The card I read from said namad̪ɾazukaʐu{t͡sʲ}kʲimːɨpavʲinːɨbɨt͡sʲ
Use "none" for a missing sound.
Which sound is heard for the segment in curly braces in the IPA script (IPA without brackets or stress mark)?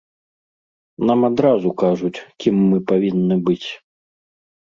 t͡sʲ